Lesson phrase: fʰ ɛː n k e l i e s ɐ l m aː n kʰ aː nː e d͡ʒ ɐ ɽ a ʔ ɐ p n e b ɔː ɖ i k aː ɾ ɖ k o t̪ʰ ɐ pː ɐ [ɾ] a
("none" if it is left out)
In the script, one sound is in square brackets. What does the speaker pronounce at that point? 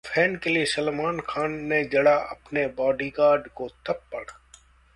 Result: ɽ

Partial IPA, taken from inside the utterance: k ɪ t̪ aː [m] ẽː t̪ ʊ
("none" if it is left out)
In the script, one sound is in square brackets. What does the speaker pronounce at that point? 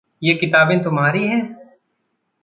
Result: b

